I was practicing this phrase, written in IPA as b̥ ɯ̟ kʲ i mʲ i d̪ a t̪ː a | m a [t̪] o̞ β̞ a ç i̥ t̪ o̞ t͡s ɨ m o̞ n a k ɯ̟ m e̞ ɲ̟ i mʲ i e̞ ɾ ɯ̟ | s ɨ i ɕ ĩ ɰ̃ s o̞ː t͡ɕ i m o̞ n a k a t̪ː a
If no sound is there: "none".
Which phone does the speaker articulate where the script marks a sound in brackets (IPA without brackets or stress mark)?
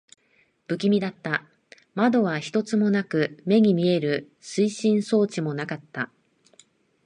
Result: d̪